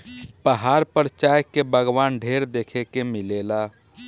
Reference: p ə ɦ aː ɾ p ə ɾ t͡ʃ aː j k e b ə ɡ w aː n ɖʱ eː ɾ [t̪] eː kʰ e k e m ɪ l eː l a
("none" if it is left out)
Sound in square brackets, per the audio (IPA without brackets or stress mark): d̪